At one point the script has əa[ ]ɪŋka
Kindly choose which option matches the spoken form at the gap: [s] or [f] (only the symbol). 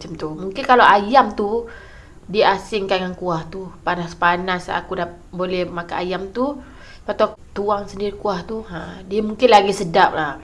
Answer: s